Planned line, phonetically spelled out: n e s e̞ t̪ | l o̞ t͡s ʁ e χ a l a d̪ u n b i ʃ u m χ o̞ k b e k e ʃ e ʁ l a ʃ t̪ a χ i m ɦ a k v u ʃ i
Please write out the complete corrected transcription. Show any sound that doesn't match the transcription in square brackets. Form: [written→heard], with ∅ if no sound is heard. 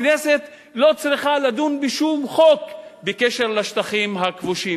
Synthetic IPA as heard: n e s e̞ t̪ | l o̞ t͡s ʁ [e→i] χ a l a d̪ u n b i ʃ u m χ o̞ k b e k e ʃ e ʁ l a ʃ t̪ a χ i m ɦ a k v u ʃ i